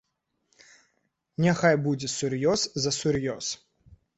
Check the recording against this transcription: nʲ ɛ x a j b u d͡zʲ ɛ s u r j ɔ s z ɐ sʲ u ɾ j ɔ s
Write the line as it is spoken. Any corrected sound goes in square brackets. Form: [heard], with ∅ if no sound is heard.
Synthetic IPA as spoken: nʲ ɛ x a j b u d͡zʲ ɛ s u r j ɔ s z ɐ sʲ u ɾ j ɔ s